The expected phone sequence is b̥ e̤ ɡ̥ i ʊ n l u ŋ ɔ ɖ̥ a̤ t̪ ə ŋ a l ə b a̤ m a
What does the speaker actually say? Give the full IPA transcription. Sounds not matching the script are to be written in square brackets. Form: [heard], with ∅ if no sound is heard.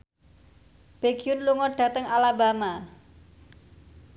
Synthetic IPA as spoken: b̥ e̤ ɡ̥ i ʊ n l u ŋ ɔ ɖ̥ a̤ t̪ ə ŋ a l [a] b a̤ m a